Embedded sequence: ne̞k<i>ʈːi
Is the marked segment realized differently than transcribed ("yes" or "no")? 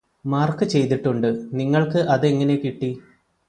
no